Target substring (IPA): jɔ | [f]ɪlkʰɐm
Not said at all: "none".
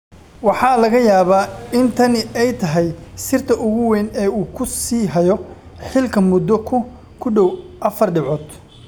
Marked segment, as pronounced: ħ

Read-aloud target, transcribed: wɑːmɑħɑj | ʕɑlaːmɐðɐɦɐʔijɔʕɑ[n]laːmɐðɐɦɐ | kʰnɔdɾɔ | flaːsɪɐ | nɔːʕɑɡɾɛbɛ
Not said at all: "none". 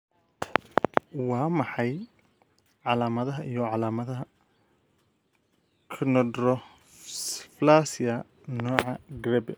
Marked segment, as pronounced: none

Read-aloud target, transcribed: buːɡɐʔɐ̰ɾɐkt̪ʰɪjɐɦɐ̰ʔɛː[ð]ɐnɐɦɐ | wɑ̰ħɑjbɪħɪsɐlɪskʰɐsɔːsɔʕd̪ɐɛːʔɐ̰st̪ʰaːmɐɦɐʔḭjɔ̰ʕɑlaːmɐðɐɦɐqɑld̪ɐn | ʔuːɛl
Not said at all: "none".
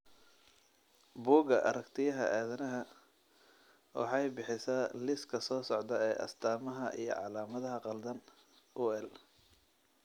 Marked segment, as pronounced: ð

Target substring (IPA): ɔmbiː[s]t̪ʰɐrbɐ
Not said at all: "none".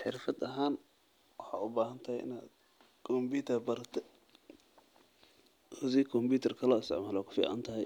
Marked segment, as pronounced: none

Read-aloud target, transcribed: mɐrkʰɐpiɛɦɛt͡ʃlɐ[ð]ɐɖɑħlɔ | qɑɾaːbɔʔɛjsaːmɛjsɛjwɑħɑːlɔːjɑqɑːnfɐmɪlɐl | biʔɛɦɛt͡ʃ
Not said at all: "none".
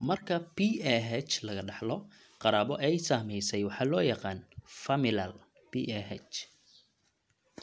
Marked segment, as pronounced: ɣ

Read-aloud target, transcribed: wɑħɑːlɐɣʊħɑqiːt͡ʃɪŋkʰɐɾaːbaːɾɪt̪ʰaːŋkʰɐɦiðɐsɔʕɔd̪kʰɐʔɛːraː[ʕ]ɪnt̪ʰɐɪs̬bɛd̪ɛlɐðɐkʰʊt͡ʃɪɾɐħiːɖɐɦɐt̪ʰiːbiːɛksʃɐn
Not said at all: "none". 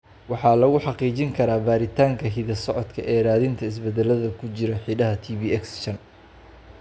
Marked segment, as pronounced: ð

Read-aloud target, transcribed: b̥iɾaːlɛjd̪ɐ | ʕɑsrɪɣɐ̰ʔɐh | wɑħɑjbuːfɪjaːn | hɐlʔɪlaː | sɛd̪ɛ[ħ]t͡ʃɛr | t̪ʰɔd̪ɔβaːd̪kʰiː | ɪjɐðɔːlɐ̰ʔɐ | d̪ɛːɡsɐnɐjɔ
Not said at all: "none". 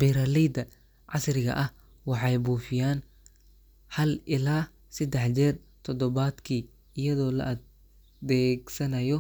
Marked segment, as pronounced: ħ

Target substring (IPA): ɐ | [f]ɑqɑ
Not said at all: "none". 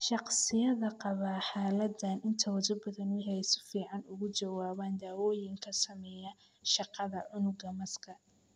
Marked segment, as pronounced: ʃ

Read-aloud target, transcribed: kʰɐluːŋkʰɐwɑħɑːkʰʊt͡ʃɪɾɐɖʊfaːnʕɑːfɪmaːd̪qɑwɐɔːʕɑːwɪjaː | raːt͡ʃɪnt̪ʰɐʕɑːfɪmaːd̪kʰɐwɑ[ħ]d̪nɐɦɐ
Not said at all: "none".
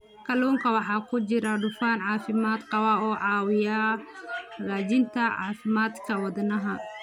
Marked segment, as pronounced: none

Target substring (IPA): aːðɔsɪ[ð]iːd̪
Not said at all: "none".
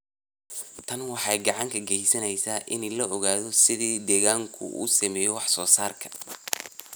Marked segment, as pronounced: ð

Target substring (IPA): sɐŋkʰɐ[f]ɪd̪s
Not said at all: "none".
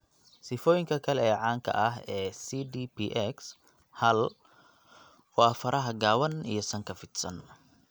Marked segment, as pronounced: f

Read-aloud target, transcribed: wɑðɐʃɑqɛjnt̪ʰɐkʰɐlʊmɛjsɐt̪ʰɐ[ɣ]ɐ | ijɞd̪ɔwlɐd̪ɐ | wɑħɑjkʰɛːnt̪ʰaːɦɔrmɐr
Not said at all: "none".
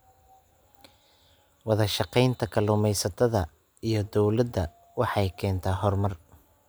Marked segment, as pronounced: ð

